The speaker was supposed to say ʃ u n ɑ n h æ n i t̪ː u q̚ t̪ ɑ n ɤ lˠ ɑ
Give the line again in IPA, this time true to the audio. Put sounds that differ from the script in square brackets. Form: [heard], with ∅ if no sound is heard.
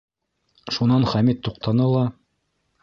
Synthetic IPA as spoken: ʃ u n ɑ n [χ] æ [m] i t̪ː u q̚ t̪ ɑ n ɤ lˠ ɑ